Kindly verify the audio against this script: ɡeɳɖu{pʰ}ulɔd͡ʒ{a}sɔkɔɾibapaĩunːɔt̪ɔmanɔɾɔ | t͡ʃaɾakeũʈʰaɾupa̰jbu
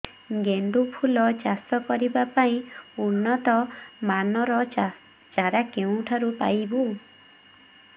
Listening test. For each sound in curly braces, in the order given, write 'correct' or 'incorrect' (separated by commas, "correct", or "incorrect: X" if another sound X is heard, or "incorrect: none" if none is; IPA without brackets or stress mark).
correct, correct